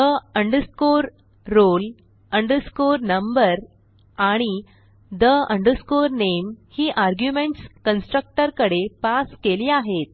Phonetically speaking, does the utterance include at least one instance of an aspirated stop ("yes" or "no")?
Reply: no